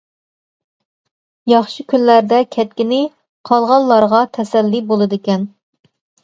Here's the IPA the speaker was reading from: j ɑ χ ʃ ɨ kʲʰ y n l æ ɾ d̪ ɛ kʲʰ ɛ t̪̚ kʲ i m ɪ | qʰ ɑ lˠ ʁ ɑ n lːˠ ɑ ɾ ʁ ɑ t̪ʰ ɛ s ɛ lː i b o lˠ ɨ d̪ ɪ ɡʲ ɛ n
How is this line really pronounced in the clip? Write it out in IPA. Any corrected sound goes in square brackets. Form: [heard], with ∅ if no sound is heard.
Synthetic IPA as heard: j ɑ χ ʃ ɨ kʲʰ y n l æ ɾ d̪ ɛ kʲʰ ɛ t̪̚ kʲ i [n] ɪ | qʰ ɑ lˠ ʁ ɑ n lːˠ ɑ ɾ ʁ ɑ t̪ʰ ɛ s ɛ lː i b o lˠ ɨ d̪ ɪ [kʲ] ɛ n